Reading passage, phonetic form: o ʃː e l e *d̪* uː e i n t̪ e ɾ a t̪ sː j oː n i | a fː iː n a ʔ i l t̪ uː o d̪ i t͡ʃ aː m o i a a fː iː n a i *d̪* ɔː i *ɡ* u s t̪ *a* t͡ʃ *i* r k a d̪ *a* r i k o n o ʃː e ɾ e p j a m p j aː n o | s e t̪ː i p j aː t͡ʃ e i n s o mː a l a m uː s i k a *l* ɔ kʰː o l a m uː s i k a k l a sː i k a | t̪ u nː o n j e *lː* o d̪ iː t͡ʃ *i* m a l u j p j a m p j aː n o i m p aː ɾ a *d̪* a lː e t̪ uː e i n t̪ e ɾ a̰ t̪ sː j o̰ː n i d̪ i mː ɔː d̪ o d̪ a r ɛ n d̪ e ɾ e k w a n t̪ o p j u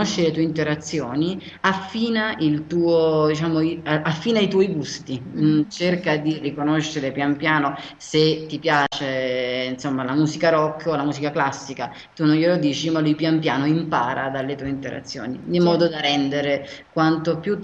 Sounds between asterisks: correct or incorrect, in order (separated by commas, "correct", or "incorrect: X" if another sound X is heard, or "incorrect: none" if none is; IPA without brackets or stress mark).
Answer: incorrect: t̪, incorrect: t̪, correct, incorrect: i, incorrect: e, incorrect: i, incorrect: ɾ, incorrect: l, correct, correct